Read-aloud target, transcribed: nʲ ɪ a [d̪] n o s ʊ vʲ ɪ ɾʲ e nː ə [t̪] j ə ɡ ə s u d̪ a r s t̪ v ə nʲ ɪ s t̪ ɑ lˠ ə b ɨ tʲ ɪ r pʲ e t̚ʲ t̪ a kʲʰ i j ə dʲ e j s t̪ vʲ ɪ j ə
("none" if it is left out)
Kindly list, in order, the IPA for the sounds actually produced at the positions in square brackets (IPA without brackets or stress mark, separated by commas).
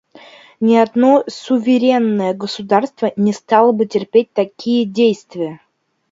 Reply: d̪, none